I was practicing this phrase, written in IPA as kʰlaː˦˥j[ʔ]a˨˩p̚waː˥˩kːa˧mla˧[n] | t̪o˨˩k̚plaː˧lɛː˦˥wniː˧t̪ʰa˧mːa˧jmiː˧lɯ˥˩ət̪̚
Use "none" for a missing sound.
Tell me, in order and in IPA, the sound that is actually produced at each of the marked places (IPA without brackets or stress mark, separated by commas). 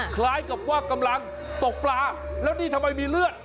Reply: k, ŋ